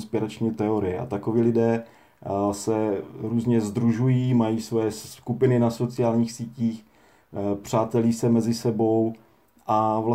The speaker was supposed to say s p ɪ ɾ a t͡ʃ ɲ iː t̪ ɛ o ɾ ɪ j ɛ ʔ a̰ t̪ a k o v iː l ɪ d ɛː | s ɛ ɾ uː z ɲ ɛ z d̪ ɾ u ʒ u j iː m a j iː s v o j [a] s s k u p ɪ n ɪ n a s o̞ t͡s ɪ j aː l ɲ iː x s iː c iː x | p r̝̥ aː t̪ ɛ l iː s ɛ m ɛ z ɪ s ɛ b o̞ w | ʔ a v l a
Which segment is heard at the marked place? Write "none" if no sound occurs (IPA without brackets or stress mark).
ɛ